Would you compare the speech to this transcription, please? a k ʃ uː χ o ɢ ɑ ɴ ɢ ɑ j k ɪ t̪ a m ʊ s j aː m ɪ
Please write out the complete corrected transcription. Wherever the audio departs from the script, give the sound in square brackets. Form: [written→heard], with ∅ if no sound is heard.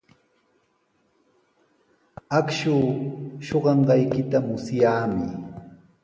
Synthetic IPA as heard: a k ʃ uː [χ→ʃ] o ɢ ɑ ɴ ɢ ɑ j k ɪ t̪ a m ʊ s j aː m ɪ

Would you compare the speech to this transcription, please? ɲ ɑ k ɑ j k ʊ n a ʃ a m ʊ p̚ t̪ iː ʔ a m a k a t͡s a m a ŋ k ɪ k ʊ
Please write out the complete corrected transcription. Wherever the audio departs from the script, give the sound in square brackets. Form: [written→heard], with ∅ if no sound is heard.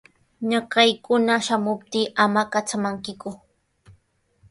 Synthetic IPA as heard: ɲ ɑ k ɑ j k ʊ n a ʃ a m ʊ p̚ t̪ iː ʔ a m a k a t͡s a m a ŋ k ɪ k ʊ

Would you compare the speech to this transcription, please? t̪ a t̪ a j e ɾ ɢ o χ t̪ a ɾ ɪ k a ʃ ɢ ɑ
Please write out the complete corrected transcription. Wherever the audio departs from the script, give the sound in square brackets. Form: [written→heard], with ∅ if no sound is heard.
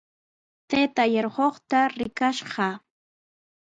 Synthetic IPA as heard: t̪ [a→e] t̪ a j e ɾ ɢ o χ t̪ a ɾ ɪ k a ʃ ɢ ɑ

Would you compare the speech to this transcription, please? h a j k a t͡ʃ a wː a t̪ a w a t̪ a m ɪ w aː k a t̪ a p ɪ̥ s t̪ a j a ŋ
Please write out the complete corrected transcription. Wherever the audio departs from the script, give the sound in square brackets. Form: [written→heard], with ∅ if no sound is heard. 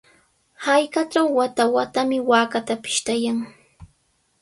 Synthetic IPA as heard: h a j k a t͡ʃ a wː a t̪ a w a t̪ a m ɪ w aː k a t̪ a p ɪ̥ [s→ʃ] t̪ a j a ŋ

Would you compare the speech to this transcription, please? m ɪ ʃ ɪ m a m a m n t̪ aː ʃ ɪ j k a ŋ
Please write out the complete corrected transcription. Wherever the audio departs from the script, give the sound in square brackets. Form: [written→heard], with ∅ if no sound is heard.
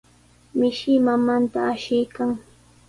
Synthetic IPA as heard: m ɪ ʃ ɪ m a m a [m→∅] n t̪ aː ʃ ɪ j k a ŋ

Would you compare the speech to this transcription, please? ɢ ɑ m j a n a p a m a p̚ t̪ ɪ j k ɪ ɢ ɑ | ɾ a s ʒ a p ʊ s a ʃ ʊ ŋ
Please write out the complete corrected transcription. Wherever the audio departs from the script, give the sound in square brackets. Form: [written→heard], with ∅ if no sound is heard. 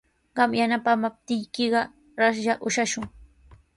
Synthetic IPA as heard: ɢ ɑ m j a n a p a m a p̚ t̪ ɪ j k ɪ ɢ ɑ | ɾ a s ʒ a [p→ʔ] ʊ [s→ʃ] a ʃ ʊ ŋ

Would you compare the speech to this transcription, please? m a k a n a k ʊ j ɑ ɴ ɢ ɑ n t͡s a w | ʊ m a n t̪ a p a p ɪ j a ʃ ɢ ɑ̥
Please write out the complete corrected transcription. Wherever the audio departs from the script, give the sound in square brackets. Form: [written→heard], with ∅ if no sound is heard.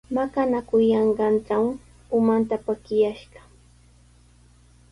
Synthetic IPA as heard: m a k a n a k ʊ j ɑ ɴ ɢ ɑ n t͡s a w | ʊ m a n t̪ a p a [p→k] ɪ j a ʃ ɢ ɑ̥

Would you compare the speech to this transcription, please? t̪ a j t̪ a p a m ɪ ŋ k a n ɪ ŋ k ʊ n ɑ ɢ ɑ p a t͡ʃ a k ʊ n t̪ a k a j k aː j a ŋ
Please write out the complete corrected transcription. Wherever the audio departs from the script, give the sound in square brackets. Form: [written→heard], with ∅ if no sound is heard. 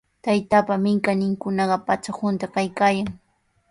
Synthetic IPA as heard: t̪ a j t̪ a p a m ɪ ŋ k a n ɪ ŋ k ʊ n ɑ ɢ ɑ p a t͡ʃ a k ʊ n t̪ a k a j k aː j a ŋ

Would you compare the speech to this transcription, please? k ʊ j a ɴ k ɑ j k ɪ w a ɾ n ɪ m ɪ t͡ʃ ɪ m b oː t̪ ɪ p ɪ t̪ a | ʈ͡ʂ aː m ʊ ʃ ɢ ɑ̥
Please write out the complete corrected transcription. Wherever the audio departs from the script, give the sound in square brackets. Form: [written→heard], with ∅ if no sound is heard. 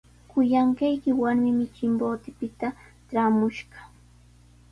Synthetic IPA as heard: k ʊ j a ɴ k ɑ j k ɪ w a ɾ [n→m] ɪ m ɪ t͡ʃ ɪ m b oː t̪ ɪ p ɪ t̪ a | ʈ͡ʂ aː m ʊ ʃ ɢ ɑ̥

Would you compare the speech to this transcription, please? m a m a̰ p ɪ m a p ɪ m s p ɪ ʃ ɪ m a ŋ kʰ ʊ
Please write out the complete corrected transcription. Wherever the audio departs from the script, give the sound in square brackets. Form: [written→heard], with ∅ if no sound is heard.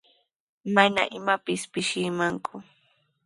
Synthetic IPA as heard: m a [m→n] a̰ [p→ʔ] ɪ m a p ɪ [m→∅] s p ɪ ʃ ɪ m a ŋ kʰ ʊ

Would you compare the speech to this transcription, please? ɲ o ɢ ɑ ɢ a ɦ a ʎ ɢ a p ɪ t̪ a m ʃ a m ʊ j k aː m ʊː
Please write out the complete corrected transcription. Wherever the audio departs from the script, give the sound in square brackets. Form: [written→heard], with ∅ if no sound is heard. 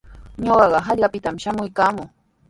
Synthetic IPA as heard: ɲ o ɢ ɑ ɢ [a→ɑ] ɦ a ʎ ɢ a p ɪ t̪ a m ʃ a m ʊ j k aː m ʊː

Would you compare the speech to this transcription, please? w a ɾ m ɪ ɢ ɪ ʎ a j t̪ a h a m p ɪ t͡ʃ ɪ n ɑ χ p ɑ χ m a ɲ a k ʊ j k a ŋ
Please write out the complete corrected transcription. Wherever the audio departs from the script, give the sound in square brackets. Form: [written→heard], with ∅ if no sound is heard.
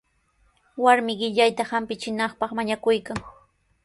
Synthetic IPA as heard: w a ɾ m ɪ ɢ ɪ ʎ a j t̪ a h a m p ɪ t͡ʃ ɪ n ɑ χ p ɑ χ m a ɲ a k ʊ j k a ŋ

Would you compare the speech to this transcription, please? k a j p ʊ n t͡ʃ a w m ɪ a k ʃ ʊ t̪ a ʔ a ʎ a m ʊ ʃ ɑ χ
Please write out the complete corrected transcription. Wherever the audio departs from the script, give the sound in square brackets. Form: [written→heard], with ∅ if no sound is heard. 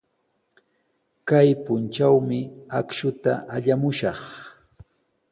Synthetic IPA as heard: k a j p ʊ n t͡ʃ a w m ɪ a k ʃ ʊ t̪ a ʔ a ʎ a m ʊ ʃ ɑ χ

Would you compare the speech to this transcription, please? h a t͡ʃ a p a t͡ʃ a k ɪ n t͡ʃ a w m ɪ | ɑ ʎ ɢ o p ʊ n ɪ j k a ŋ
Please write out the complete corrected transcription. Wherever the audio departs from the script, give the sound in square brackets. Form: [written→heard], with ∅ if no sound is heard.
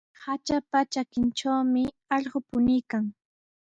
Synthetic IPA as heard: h a t͡ʃ a p a t͡ʃ a k ɪ n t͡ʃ a w m ɪ | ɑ ʎ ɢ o p ʊ n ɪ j k a ŋ

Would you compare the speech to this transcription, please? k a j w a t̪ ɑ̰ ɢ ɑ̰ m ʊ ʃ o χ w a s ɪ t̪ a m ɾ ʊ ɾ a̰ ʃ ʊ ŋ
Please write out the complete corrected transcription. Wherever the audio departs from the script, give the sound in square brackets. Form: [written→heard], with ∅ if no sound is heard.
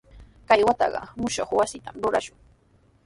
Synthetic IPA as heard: k a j w a t̪ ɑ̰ ɢ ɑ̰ m ʊ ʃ o χ w a s ɪ t̪ a m ɾ ʊ ɾ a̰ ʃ ʊ ŋ

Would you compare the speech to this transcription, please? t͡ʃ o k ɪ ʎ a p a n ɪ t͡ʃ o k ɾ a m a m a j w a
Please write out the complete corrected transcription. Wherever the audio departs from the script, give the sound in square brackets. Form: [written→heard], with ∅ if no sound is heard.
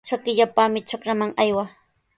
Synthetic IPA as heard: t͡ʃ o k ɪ ʎ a p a [n→m] ɪ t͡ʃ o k ɾ a m a [m→ŋ] a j w a

